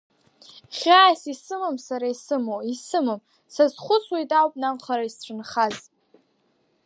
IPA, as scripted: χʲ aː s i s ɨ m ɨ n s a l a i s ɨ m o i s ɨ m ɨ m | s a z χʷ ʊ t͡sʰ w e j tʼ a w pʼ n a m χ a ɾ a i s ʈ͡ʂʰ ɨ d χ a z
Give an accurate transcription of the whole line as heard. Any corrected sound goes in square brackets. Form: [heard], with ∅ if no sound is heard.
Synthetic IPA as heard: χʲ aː s i s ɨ m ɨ [m] s a [ɾ] a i s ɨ m o i s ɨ m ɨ m | s a z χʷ ʊ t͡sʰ w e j tʼ a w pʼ n a m χ a ɾ a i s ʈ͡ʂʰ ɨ [n] χ a z